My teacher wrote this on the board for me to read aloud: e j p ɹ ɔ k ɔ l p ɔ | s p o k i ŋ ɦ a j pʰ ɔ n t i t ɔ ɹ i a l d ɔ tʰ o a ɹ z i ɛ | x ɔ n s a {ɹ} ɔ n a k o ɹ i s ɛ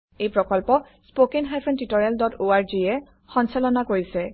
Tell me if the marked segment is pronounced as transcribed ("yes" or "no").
no